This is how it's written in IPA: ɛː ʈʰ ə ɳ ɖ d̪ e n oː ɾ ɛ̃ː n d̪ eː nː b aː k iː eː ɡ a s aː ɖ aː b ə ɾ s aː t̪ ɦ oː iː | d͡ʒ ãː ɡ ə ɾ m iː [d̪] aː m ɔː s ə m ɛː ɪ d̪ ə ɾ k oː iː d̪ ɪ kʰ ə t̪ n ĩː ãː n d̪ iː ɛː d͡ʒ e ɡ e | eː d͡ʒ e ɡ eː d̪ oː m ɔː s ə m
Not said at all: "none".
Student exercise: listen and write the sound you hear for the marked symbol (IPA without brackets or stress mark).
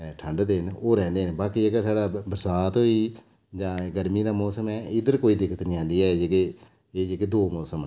d̪